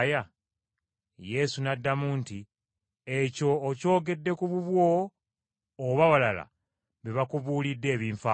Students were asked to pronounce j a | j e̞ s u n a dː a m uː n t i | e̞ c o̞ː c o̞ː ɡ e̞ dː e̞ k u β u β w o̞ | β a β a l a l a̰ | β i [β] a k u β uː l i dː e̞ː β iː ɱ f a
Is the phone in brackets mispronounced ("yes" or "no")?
no